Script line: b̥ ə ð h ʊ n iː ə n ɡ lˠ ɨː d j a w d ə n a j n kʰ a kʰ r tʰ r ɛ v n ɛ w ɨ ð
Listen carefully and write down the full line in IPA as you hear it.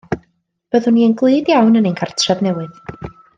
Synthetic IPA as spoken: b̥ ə ð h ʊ n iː ə n ɡ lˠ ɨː d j a w n ə n e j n kʰ a r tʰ r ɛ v n ɛ w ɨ ð